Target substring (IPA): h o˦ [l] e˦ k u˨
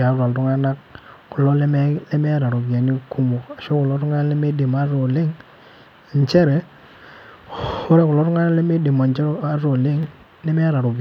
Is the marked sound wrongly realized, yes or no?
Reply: yes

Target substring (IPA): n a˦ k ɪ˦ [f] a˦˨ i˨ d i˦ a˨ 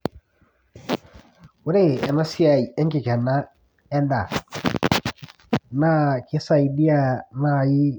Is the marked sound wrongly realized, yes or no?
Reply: yes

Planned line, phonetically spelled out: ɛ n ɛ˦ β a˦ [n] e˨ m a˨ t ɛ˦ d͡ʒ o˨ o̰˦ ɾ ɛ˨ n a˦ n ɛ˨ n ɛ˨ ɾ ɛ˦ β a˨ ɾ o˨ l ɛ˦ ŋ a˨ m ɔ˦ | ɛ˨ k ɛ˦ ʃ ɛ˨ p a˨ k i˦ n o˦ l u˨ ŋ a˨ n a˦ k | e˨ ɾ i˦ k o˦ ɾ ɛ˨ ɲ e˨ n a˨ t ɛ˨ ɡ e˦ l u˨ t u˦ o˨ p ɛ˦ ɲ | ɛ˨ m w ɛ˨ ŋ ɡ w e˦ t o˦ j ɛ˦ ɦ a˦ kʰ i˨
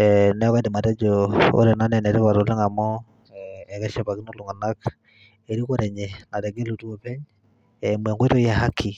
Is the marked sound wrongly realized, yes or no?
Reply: yes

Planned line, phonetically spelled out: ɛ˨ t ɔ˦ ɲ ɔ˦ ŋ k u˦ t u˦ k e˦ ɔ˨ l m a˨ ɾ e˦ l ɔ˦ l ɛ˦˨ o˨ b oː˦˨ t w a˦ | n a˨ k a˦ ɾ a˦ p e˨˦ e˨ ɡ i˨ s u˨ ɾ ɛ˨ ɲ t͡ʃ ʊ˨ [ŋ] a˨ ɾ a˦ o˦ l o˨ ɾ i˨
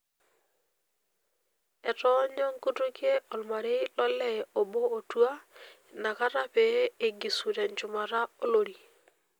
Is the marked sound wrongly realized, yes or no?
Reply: yes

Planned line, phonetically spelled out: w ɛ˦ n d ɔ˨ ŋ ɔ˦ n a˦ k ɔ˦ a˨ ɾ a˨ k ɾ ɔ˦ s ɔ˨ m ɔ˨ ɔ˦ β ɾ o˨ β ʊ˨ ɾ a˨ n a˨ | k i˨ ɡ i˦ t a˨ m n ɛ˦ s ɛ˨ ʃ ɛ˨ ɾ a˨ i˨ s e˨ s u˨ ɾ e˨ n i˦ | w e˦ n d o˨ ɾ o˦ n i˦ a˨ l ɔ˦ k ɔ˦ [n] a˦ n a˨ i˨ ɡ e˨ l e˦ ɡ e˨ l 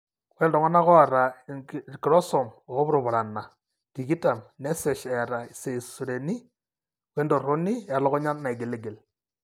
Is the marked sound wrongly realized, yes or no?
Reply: yes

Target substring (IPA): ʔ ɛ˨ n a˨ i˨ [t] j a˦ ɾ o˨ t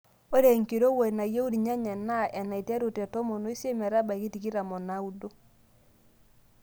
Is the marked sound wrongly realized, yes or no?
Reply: no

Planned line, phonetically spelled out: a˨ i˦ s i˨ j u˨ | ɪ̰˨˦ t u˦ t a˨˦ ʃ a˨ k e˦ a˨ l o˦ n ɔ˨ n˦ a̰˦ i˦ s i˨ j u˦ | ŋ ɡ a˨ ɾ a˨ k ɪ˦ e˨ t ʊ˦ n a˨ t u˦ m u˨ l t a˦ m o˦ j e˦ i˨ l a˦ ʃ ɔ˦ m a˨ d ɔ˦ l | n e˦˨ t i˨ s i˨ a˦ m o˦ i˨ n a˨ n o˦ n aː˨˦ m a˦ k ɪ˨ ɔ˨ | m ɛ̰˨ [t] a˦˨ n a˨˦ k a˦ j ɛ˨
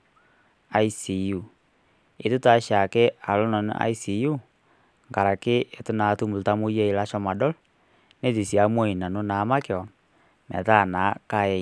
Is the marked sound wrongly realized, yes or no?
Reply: no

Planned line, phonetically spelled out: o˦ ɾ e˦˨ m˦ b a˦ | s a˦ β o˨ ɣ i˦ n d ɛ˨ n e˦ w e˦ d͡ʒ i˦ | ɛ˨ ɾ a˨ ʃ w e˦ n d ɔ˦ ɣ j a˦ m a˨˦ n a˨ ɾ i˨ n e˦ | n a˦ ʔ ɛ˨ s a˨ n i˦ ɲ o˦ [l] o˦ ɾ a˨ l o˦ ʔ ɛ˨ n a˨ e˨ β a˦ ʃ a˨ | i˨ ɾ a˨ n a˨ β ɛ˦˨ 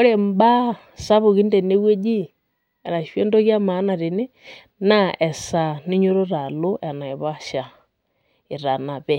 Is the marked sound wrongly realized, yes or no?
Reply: yes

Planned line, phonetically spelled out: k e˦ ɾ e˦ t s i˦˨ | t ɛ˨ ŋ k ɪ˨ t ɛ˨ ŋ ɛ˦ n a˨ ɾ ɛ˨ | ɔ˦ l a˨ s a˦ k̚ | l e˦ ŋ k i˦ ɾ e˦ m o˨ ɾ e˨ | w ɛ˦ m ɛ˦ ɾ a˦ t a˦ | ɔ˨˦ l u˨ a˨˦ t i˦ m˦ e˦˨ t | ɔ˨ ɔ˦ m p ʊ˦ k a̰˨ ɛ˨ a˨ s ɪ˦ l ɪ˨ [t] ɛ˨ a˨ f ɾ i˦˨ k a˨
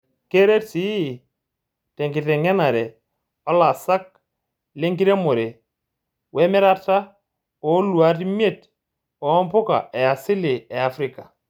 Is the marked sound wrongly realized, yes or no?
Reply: yes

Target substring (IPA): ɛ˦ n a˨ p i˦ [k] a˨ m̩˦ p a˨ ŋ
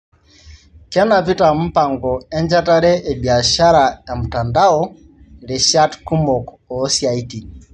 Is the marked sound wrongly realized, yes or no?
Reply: yes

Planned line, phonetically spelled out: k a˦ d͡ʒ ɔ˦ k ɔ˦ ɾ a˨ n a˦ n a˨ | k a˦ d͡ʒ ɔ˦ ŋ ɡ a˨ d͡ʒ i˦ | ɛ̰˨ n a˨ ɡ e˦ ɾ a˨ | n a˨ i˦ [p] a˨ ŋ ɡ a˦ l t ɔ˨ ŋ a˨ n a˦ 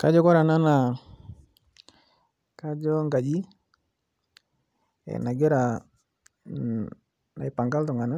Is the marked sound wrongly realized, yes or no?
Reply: no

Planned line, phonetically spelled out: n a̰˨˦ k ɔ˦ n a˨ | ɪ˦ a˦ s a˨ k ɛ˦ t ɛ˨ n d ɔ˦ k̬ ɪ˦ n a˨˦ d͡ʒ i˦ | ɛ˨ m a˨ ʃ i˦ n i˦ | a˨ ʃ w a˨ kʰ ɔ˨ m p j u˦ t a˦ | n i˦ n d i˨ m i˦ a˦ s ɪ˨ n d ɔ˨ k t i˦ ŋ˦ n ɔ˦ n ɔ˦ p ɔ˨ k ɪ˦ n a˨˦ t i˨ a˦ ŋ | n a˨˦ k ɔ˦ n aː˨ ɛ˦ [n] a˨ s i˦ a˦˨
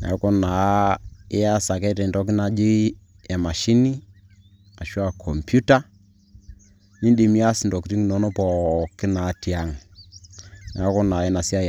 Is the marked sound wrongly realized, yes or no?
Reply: no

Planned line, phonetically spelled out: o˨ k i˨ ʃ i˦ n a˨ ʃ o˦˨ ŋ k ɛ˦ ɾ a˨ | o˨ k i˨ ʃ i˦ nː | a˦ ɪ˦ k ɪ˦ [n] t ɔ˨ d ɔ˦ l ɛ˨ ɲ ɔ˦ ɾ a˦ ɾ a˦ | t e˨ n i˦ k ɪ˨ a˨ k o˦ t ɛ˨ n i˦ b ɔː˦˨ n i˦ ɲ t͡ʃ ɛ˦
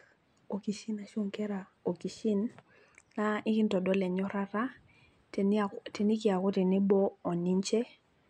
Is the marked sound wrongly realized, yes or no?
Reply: no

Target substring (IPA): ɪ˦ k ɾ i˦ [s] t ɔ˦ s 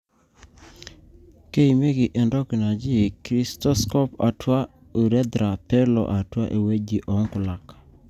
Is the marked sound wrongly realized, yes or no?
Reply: no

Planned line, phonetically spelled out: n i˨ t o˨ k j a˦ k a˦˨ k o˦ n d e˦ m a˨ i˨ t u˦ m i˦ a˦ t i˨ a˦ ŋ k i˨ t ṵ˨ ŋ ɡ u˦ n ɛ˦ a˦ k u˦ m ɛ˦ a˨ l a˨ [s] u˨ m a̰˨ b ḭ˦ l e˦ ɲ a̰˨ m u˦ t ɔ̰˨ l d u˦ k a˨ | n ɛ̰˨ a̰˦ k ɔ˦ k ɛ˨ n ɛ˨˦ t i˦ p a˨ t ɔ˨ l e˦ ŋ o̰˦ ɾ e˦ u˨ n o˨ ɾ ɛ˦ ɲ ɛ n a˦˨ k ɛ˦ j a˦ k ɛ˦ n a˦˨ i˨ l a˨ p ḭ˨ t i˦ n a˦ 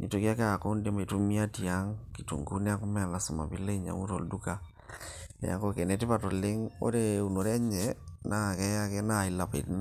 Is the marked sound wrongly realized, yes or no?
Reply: no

